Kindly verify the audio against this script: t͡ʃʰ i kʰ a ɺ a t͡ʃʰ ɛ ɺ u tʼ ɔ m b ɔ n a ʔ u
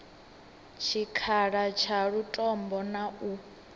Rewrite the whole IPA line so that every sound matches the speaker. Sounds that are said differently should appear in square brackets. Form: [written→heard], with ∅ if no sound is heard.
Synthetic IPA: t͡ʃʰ i kʰ a ɺ a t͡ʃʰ [ɛ→a] ɺ u tʼ ɔ m b ɔ n a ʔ u